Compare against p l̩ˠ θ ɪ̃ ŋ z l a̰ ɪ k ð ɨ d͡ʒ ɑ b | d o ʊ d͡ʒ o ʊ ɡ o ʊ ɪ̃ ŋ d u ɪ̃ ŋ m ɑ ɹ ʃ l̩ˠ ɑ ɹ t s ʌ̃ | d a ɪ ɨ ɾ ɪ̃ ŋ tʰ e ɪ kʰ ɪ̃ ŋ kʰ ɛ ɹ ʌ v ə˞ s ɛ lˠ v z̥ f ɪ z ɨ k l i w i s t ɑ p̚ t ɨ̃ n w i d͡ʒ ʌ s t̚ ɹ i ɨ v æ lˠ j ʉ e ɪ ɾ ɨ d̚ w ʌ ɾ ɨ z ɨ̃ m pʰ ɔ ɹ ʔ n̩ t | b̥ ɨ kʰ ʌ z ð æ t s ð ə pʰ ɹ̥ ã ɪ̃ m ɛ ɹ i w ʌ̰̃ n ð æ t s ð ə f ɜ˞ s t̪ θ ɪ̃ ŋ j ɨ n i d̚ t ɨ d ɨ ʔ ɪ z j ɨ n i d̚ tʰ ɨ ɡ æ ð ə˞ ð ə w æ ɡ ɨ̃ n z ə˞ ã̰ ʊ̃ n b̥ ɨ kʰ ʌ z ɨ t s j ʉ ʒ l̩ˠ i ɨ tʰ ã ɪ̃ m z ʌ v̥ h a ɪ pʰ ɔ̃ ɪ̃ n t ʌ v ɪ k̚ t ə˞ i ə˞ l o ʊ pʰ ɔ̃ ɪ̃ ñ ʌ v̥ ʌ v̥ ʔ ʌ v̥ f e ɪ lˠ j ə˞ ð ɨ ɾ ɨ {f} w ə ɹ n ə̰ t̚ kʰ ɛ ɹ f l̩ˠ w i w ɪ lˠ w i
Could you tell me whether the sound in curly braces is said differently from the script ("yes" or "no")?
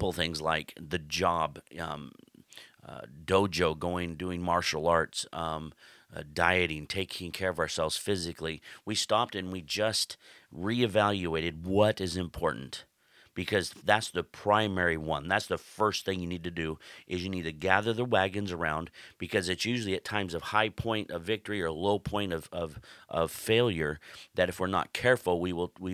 no